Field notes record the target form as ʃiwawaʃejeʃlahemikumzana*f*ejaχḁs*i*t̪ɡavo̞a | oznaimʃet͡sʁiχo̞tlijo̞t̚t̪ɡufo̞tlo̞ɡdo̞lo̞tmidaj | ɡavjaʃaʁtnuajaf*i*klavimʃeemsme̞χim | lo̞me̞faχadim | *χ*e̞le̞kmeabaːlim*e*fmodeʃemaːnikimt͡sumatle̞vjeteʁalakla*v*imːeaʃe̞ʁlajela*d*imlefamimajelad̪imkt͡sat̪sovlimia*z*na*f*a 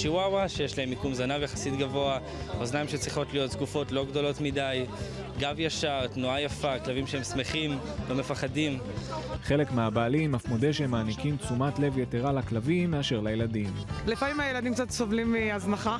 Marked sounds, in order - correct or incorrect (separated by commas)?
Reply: incorrect, correct, incorrect, correct, incorrect, correct, correct, correct, incorrect